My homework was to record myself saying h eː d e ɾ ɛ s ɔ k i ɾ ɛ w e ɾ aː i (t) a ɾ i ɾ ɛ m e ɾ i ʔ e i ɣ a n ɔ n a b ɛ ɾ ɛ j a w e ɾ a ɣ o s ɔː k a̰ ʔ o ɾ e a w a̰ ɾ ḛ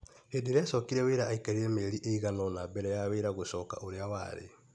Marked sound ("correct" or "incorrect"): incorrect